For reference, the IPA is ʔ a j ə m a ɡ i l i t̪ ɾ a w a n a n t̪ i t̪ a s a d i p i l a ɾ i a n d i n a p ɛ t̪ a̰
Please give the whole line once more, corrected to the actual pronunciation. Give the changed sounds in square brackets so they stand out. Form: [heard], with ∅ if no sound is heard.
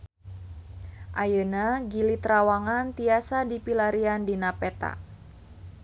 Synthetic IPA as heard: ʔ a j ə [n] a ɡ i l i t̪ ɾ a w a [ŋ] a n t̪ i [∅] a s a d i p i l a ɾ i a n d i n a p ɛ t̪ a̰